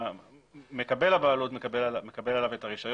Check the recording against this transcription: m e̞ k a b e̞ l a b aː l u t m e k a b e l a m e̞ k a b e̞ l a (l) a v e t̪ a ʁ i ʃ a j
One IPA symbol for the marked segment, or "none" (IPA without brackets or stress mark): l